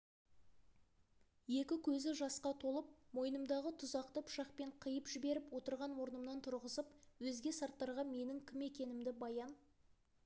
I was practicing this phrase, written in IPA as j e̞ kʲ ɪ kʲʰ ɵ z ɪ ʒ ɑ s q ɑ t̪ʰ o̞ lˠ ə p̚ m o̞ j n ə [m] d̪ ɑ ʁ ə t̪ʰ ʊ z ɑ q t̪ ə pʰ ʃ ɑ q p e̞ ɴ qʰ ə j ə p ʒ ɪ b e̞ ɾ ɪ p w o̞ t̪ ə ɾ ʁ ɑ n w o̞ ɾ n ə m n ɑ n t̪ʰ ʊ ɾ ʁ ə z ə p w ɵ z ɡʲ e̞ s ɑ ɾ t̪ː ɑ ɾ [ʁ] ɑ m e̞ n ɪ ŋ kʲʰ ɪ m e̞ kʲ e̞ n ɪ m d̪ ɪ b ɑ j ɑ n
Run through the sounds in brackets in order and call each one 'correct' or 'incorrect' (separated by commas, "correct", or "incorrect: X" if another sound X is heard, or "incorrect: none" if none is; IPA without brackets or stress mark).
correct, correct